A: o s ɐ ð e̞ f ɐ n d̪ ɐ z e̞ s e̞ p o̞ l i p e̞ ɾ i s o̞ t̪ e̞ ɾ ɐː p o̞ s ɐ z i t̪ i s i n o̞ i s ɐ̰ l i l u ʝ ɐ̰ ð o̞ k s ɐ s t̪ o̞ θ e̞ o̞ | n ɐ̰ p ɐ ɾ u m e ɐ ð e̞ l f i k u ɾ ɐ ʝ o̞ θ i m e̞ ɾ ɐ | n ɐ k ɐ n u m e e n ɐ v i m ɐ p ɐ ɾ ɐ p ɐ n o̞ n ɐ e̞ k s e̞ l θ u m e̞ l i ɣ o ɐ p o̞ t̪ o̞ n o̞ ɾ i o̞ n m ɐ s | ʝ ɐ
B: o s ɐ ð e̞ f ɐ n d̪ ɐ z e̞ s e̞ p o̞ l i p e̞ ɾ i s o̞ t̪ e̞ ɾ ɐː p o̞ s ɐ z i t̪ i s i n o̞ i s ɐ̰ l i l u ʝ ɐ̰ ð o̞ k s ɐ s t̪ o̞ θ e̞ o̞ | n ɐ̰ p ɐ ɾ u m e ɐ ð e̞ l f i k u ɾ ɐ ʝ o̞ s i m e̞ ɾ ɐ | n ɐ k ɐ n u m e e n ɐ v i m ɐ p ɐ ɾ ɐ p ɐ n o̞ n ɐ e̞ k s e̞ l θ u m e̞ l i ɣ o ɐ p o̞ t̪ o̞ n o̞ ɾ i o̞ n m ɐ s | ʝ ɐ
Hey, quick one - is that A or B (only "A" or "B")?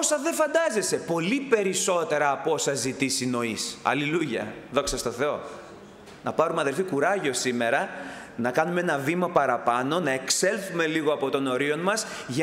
B